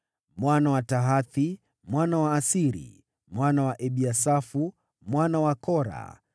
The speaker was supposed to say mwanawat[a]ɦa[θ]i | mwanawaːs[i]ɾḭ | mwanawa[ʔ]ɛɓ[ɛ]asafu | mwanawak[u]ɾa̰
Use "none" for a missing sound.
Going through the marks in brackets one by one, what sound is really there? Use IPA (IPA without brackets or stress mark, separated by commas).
a, θ, i, ʔ, i, ɔ